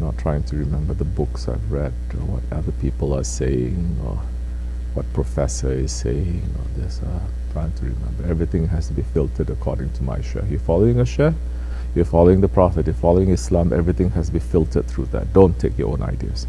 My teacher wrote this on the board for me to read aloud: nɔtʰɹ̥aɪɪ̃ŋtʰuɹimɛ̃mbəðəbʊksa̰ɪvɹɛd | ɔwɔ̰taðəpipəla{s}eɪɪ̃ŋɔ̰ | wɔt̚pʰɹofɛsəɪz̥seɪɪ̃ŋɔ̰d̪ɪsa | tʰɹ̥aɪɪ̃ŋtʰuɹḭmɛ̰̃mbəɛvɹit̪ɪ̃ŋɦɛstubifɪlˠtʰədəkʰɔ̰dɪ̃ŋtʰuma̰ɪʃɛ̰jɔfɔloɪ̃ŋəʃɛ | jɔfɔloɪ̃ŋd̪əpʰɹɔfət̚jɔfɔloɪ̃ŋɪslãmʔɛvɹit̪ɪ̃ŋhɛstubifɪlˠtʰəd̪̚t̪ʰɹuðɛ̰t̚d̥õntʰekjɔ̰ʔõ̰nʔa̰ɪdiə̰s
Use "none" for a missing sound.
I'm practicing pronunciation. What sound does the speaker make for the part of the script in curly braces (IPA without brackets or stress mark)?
s